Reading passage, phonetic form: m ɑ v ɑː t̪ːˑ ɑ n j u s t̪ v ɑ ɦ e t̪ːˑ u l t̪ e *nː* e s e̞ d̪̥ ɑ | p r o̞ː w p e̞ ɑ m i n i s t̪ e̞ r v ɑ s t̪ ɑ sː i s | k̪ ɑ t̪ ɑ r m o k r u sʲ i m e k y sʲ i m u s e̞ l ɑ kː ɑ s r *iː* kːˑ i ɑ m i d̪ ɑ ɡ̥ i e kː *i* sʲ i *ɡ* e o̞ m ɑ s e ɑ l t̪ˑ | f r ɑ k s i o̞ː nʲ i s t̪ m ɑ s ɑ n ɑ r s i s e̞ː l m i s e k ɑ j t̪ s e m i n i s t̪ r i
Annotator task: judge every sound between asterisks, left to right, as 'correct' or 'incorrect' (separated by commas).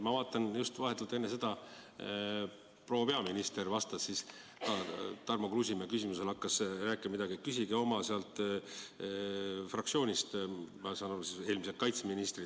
correct, incorrect, incorrect, correct